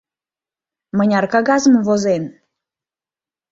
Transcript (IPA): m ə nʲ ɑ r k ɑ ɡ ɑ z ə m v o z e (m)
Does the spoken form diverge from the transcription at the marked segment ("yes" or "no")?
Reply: yes